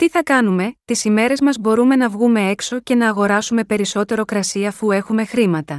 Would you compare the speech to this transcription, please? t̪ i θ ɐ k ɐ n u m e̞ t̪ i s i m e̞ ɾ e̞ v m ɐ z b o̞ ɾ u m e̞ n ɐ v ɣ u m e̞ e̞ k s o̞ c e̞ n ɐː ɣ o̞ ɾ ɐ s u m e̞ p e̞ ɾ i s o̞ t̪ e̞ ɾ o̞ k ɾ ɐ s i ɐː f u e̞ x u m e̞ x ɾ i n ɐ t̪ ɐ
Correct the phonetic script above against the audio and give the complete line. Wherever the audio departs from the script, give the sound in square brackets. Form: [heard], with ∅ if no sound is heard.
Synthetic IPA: t̪ i θ ɐ k ɐ n u m e̞ t̪ i s i m e̞ ɾ e̞ [z] m ɐ z b o̞ ɾ u m e̞ n ɐ v ɣ u m e̞ e̞ k s o̞ c e̞ n ɐː ɣ o̞ ɾ ɐ s u m e̞ p e̞ ɾ i s o̞ t̪ e̞ ɾ o̞ k ɾ ɐ s i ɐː f u e̞ x u m e̞ x ɾ i [m] ɐ t̪ ɐ